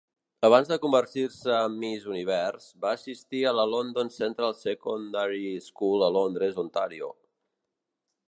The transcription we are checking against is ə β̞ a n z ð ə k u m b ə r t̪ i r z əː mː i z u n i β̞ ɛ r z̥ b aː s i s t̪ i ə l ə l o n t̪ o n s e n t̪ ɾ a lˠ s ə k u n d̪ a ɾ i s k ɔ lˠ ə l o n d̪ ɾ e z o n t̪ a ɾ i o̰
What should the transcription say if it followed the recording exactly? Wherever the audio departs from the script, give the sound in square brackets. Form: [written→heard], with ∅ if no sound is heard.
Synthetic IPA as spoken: ə β̞ a n z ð ə k u m b ə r t̪ i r [z→s] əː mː i z u n i β̞ ɛ r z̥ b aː s i s t̪ i ə l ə l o n [t̪→d̪] o n s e n t̪ ɾ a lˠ s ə k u n d̪ a ɾ i s k [ɔ→u] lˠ ə l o n d̪ ɾ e z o n t̪ a ɾ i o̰